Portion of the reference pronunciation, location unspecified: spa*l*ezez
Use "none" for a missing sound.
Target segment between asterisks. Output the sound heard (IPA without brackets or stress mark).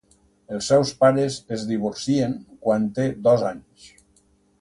ɾ